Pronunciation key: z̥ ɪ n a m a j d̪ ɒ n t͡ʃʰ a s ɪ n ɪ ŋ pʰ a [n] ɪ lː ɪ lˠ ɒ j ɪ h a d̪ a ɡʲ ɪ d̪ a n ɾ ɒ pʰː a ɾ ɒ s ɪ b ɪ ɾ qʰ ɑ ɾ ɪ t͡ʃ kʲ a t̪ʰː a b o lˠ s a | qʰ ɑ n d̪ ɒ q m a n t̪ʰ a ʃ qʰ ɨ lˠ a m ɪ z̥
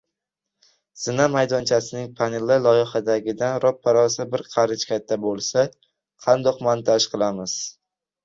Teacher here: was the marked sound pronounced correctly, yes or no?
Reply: yes